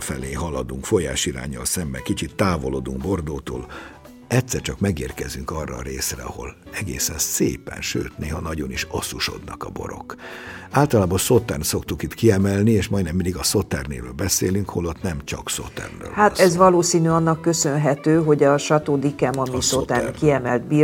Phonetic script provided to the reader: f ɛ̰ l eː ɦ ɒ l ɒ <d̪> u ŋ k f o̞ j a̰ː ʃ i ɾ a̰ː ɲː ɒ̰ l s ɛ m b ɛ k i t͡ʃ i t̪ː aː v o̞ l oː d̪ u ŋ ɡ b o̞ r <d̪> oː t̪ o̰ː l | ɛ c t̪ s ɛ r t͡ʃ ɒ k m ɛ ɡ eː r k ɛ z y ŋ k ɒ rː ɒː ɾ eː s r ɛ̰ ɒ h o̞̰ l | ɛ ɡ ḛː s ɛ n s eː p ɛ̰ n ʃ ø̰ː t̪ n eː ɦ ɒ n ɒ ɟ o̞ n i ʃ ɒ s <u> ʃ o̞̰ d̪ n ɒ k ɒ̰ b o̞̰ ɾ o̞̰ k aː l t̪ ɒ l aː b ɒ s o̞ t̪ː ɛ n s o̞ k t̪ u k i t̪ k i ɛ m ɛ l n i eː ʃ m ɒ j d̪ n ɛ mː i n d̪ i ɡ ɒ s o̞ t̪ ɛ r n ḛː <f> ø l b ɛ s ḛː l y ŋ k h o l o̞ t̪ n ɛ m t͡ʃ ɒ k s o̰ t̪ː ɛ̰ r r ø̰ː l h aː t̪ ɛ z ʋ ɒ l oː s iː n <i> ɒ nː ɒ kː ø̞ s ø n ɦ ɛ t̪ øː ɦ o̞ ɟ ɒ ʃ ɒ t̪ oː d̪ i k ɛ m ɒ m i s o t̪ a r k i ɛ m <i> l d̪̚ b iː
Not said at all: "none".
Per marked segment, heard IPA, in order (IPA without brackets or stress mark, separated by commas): d̪, d̪, u, v, y, ɛ